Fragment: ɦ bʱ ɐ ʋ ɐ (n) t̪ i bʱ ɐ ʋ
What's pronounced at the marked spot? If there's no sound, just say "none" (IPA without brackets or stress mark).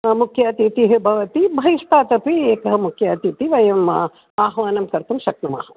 none